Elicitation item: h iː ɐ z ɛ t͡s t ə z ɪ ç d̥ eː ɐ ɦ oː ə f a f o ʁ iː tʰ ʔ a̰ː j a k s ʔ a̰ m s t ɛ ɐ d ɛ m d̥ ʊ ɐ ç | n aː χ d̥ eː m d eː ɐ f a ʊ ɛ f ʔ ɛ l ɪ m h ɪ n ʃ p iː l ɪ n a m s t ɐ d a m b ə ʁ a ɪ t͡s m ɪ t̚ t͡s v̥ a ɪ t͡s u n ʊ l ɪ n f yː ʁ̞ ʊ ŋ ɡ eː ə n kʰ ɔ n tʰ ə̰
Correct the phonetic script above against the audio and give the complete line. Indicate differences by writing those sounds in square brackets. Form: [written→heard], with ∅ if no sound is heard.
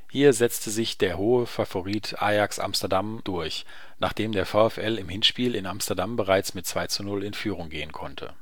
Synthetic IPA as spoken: h iː ɐ z ɛ t͡s t ə z ɪ ç d̥ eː ɐ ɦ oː ə f a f o ʁ iː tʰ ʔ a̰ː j a k s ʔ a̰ m s t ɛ ɐ d [ɛ→a] m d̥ ʊ ɐ ç | n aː χ d̥ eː m d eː ɐ f a ʊ ɛ f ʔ ɛ l ɪ m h ɪ n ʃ p iː l ɪ n a m s t ɐ d a m b ə ʁ a ɪ t͡s m ɪ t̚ t͡s v̥ a ɪ t͡s u n ʊ l ɪ n f yː ʁ̞ ʊ ŋ ɡ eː ə n kʰ ɔ n tʰ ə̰